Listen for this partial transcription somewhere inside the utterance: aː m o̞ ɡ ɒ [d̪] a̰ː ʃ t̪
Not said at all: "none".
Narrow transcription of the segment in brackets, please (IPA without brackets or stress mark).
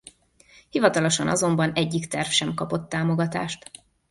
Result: t̪